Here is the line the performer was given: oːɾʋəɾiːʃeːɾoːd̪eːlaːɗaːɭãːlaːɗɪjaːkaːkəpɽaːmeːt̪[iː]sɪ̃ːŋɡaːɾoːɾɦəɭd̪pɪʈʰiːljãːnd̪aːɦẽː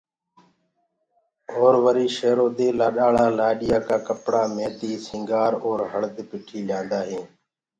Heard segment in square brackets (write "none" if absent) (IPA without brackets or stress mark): iː